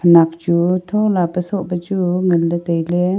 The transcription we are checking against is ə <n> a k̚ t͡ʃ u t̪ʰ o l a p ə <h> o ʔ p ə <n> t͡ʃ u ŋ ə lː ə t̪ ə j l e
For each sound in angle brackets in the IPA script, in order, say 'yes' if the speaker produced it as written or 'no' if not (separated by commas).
yes, no, no